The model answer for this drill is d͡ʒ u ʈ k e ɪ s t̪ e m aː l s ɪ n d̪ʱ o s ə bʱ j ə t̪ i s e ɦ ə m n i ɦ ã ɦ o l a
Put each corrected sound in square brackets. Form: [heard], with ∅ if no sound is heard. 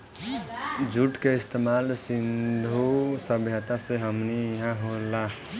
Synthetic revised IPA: d͡ʒ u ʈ k e ɪ s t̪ e m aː l s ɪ n d̪ʱ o s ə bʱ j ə t̪ [a] s e ɦ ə m n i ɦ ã ɦ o l a